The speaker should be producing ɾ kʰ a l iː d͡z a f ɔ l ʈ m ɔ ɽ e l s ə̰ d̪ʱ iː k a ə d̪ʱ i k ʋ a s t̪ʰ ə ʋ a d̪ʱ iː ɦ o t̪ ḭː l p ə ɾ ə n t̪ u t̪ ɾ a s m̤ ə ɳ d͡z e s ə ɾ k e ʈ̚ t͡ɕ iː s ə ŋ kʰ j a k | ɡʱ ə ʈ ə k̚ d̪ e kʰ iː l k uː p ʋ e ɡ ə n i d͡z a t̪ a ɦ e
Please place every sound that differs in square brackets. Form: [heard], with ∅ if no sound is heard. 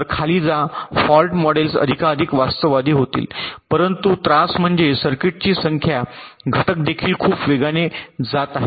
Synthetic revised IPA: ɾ kʰ a l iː d͡z a f ɔ l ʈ m ɔ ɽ e l s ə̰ d̪ʱ [i] k a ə d̪ʱ i k ʋ a s [t̪] ə ʋ a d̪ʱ iː ɦ o t̪ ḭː l p ə ɾ ə n t̪ u t̪ ɾ a s m̤ ə ɳ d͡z e s ə ɾ k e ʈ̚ t͡ɕ iː s ə ŋ kʰ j a [∅] | ɡʱ ə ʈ ə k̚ d̪ e kʰ iː l [kʰ] uː p ʋ e ɡ [a] n [e] d͡z a t̪ a ɦ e